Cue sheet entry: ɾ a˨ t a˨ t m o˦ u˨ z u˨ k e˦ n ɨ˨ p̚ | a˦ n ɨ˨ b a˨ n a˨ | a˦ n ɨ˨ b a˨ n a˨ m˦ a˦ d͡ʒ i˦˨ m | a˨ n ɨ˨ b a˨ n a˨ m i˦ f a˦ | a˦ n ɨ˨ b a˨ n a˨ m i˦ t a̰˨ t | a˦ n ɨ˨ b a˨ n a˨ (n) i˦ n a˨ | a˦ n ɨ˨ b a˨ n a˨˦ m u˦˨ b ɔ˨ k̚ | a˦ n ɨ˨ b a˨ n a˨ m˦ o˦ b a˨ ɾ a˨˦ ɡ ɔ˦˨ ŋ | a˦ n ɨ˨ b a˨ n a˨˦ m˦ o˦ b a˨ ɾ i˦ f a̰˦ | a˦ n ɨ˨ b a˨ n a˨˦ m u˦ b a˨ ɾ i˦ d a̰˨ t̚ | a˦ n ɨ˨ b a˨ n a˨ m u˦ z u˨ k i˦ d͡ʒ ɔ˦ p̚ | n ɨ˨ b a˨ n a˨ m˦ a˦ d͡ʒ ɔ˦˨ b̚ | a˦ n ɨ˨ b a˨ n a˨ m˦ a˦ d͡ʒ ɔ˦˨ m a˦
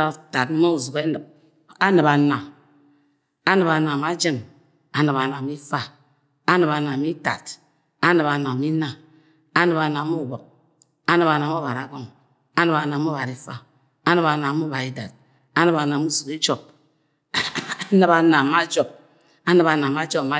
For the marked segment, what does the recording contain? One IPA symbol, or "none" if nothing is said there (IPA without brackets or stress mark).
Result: m